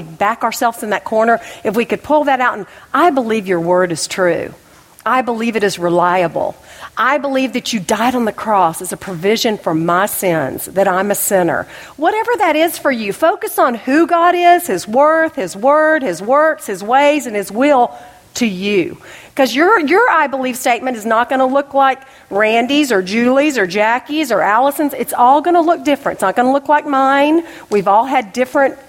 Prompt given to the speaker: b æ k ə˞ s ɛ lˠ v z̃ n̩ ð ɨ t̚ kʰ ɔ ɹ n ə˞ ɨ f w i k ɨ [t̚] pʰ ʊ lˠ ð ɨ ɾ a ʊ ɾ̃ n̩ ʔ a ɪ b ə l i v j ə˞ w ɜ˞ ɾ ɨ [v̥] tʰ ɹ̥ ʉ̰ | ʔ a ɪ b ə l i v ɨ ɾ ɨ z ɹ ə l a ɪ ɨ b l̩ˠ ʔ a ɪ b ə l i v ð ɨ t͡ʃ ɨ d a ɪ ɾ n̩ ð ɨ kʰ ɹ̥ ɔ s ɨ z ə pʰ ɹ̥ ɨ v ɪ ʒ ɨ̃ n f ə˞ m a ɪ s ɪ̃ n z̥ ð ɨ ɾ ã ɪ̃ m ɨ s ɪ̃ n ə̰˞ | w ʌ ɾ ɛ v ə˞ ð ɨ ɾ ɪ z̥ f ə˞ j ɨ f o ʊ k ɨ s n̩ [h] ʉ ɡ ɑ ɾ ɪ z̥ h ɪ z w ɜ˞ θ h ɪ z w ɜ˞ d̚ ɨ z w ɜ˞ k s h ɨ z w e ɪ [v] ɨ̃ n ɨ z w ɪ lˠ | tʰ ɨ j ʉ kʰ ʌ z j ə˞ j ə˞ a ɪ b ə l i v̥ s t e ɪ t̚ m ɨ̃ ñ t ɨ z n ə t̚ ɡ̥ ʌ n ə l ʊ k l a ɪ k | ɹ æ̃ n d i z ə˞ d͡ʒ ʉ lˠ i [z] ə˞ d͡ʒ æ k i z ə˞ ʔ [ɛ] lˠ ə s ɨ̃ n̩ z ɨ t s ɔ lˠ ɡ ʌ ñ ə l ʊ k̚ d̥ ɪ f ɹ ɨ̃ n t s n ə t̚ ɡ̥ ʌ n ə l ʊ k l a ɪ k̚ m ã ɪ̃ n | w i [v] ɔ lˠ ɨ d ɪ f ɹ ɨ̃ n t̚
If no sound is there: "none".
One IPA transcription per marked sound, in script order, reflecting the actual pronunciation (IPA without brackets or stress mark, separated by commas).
d̚, z̥, h, z, z, æ, v